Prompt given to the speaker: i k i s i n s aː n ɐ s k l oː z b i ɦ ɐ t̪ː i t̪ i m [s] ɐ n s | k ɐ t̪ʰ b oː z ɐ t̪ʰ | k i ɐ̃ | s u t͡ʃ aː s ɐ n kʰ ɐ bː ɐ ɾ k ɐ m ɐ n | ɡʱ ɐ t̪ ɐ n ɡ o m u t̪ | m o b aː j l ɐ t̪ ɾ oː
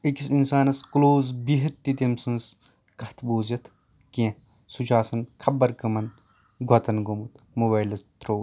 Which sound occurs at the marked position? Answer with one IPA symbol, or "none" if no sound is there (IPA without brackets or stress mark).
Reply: s